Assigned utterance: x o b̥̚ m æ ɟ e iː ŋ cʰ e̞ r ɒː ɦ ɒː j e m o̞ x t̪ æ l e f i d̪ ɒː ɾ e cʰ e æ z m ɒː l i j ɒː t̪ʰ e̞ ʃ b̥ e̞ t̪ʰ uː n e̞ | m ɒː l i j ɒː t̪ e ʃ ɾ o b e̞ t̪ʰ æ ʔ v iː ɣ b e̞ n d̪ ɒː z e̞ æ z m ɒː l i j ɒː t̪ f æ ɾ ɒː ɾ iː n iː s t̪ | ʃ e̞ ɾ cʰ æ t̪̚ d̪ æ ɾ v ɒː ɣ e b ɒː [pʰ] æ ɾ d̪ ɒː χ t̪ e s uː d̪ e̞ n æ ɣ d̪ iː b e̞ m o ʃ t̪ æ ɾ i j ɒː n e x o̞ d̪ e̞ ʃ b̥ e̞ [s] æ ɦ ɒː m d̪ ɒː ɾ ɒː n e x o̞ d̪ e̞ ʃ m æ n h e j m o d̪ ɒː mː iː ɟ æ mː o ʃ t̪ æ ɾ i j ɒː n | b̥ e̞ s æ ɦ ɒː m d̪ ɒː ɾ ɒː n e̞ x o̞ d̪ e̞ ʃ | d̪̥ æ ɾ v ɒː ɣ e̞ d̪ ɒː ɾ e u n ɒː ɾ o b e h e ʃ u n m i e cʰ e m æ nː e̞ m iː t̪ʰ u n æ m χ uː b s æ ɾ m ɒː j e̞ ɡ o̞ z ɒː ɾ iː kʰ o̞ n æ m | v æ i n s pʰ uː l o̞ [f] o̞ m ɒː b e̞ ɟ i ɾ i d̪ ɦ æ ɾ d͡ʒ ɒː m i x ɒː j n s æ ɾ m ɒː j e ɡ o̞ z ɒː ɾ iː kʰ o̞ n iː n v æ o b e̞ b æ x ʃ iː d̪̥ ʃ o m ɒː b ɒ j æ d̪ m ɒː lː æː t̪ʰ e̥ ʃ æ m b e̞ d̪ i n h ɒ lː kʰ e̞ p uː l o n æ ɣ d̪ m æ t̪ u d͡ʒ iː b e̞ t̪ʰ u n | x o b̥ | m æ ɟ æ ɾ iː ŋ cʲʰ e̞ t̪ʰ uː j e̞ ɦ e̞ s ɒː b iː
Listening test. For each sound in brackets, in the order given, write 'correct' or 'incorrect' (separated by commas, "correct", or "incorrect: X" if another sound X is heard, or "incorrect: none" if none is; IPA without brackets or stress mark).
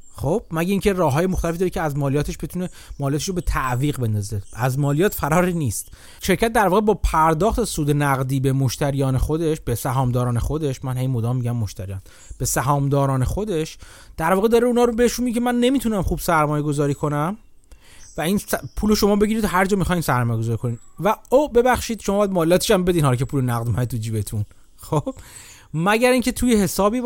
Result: correct, correct, incorrect: ʃ